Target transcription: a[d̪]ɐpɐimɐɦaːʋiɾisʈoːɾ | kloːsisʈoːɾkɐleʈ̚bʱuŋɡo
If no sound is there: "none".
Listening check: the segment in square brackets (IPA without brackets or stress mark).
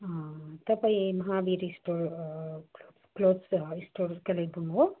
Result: t̪